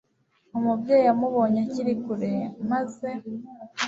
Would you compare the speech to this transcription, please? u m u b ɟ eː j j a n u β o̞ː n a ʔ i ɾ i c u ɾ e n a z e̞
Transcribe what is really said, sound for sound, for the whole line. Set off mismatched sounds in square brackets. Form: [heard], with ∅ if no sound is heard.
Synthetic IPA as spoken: u m u b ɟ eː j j a [m] u β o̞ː [ɲ] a [c] i ɾ i [k] u ɾ e [m] a z e̞